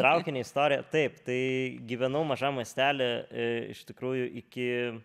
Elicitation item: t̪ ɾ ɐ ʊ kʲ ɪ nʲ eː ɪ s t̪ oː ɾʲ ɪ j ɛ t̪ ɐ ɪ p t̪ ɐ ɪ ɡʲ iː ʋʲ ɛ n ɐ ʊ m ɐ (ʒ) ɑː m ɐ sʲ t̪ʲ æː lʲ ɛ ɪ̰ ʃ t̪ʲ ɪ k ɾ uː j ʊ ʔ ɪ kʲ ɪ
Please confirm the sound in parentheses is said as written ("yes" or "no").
yes